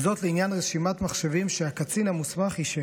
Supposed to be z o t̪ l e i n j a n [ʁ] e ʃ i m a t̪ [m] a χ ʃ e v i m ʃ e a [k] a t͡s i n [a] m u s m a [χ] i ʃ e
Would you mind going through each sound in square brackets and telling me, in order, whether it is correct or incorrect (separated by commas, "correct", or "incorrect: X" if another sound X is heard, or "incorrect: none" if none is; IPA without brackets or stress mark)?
correct, correct, correct, correct, correct